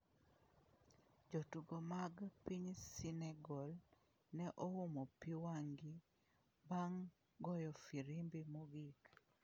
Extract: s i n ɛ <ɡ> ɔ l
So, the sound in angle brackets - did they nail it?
yes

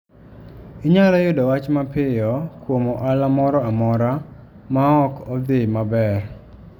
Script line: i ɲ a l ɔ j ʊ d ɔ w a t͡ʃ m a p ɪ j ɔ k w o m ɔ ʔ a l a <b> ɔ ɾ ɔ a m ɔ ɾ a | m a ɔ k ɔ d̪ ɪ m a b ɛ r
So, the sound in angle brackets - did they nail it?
no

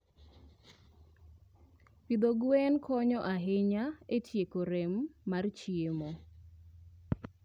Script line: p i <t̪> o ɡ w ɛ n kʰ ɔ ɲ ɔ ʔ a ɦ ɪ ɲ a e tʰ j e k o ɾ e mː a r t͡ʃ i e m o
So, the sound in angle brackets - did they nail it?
no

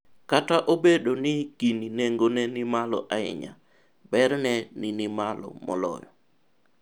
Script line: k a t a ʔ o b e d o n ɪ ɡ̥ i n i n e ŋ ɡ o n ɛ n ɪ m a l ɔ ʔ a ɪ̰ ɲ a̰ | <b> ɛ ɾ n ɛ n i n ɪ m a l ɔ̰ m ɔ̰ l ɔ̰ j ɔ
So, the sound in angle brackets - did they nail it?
yes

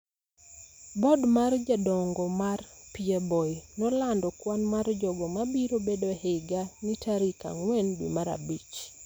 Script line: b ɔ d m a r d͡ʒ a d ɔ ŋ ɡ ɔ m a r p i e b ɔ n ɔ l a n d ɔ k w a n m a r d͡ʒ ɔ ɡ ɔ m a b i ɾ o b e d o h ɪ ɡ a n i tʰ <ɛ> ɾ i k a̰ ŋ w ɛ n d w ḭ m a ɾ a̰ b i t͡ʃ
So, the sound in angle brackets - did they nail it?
no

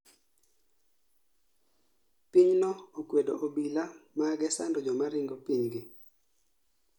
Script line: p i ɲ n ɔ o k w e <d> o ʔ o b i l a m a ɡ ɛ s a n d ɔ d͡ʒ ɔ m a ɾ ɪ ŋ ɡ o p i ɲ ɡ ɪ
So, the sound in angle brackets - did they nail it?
yes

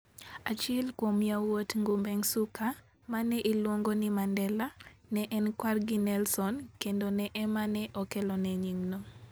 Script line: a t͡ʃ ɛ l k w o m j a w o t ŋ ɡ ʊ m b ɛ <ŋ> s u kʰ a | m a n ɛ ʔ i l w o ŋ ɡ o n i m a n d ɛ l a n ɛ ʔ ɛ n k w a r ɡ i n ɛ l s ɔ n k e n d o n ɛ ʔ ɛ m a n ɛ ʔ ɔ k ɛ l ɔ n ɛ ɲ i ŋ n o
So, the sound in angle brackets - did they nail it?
yes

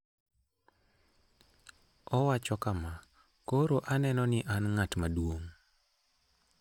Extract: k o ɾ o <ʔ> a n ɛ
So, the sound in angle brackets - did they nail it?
yes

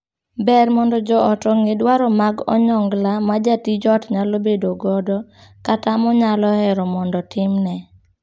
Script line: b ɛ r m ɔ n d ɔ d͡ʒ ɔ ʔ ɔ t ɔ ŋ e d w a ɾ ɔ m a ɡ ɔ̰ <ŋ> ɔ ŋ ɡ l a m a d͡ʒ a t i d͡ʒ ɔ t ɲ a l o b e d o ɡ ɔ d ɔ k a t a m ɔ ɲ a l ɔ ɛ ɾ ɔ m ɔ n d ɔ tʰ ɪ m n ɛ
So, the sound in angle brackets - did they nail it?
no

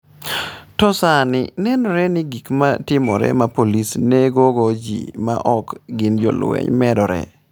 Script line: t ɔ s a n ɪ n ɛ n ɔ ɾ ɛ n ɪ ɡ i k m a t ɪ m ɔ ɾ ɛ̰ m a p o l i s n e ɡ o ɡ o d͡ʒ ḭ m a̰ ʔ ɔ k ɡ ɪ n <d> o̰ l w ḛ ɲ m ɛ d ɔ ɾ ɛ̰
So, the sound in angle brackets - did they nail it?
no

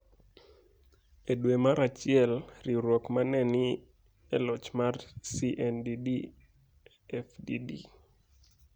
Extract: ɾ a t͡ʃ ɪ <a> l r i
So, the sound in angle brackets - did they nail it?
no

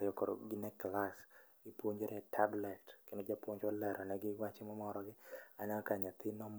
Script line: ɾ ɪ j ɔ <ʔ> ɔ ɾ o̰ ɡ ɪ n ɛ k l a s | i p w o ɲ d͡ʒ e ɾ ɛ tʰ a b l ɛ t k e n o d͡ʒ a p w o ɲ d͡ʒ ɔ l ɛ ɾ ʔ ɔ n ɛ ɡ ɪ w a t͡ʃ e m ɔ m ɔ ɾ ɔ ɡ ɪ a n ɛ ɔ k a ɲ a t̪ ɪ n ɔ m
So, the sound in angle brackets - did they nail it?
no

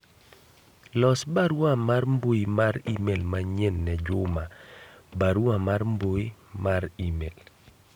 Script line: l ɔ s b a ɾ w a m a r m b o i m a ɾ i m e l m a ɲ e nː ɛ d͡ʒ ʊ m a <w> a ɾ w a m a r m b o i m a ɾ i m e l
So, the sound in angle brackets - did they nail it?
no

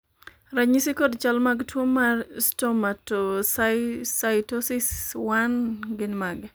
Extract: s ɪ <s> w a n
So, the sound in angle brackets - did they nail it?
yes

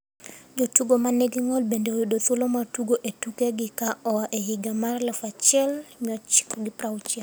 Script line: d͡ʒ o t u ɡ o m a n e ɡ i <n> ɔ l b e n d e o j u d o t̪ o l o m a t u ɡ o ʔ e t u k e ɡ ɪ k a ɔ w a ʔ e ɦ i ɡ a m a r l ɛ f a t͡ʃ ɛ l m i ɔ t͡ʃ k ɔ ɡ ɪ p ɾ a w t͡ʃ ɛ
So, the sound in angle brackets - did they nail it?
no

